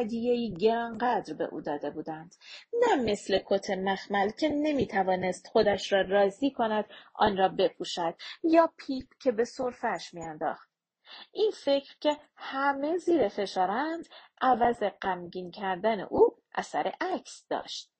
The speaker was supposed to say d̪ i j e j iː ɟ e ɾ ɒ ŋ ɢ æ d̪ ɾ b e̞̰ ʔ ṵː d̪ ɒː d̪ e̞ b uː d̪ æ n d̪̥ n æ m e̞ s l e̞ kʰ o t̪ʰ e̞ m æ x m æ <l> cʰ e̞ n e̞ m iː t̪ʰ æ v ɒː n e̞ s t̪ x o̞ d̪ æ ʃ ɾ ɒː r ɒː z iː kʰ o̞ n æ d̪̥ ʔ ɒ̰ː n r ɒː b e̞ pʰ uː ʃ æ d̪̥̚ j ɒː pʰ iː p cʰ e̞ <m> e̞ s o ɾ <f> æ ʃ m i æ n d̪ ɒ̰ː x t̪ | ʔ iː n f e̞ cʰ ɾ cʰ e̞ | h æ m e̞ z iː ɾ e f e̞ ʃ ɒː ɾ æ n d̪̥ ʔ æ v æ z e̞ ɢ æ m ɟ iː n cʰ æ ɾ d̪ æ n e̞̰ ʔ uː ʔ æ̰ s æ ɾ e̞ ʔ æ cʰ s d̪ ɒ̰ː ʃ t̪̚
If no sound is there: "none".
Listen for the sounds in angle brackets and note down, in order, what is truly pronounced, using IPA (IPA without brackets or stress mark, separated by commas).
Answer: l, b, f